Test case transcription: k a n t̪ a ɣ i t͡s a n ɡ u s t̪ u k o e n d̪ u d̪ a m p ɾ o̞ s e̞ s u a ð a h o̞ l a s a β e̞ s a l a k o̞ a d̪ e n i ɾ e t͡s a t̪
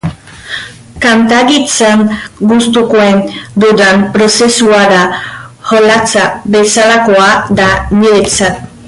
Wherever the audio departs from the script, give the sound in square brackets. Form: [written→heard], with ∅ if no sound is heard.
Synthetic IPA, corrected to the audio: k a n t̪ a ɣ i t͡s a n ɡ u s t̪ u k o e n d̪ u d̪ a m p ɾ o̞ s e̞ s u a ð a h o̞ l a [s→t͡s] a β e̞ s a l a k o̞ a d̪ [e→a] n i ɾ e t͡s a t̪